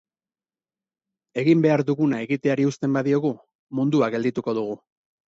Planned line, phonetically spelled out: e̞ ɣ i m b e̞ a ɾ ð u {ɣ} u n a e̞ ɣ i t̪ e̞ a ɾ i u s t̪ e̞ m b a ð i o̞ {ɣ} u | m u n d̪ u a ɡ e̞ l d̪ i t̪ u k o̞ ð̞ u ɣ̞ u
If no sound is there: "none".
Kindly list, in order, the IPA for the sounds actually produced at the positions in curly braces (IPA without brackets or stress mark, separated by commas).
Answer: ɣ, ɣ